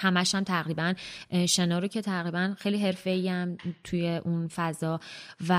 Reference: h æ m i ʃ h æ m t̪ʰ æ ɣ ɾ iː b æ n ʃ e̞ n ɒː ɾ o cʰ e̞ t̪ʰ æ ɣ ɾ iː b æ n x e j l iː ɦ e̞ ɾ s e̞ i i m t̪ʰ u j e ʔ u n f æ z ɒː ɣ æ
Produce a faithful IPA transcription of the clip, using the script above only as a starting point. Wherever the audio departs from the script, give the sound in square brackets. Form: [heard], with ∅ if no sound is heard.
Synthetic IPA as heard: h æ m [æ] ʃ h æ m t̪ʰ æ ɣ ɾ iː b æ n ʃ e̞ n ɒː ɾ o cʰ e̞ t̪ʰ æ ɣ ɾ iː b æ n x e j l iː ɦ e̞ ɾ [f] e̞ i [æ] m t̪ʰ u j e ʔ u n f æ z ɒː [v] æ